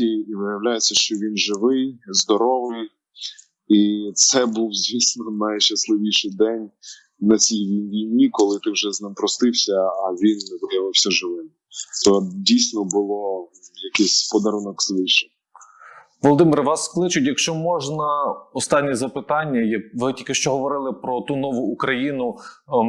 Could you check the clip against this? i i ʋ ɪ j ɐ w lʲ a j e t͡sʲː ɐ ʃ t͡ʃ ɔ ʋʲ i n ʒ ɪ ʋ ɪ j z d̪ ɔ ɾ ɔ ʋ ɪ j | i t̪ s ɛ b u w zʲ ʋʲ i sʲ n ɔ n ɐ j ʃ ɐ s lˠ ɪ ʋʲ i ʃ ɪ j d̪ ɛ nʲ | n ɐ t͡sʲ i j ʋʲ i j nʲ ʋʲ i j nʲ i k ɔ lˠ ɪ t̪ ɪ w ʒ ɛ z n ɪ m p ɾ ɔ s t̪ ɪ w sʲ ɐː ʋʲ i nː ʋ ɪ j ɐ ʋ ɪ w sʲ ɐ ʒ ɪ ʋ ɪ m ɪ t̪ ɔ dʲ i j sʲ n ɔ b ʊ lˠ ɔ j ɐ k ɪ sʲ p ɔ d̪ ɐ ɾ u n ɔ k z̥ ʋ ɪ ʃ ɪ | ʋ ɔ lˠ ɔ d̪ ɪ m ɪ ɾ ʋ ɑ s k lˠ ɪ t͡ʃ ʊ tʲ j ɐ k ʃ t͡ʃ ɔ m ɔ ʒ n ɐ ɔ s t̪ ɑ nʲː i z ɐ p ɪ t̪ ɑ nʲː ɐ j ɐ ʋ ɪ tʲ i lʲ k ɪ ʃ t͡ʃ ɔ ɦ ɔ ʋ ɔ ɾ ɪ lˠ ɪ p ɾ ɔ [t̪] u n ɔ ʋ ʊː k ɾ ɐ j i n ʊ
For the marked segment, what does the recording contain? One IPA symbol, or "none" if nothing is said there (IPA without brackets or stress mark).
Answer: t̪